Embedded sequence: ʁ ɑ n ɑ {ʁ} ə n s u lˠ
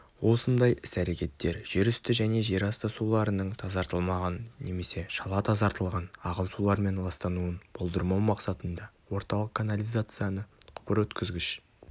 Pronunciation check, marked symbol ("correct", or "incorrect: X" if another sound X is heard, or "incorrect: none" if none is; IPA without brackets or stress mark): correct